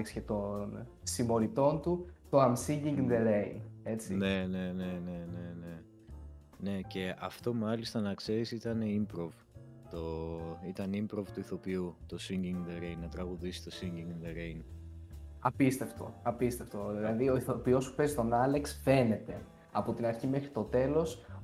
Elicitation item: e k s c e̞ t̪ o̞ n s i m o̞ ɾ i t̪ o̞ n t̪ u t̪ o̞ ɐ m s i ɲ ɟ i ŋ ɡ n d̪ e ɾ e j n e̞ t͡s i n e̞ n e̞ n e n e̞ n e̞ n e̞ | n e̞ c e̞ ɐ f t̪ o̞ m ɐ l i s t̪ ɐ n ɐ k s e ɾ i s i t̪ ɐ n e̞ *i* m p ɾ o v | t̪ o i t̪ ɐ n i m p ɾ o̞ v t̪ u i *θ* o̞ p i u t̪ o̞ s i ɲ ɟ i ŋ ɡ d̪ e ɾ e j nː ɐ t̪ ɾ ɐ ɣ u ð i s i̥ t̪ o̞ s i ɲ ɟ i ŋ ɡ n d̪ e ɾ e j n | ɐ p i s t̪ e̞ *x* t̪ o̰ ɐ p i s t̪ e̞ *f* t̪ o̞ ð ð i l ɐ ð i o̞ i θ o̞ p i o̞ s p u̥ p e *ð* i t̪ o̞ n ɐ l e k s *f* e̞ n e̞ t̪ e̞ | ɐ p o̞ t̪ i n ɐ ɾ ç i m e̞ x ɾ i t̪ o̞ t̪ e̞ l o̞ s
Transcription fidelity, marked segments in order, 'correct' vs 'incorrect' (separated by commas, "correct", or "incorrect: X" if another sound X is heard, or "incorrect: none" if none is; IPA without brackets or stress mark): correct, correct, incorrect: f, correct, incorrect: z, correct